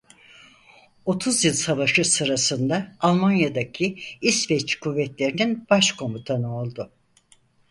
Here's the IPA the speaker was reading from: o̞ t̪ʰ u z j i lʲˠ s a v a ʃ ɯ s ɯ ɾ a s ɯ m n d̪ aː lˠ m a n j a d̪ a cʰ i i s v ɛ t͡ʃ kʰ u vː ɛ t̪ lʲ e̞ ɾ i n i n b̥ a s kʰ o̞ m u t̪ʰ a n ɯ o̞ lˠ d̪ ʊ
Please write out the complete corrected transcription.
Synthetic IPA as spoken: o̞ t̪ʰ u z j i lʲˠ s a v a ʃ ɯ s ɯ ɾ a s ɯ n d̪ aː lˠ m a n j a d̪ a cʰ i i s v ɛ t͡ʃ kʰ u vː ɛ t̪ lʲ e̞ ɾ i n i n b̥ a ʃ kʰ o̞ m u t̪ʰ a n ɯ o̞ lˠ d̪ ʊ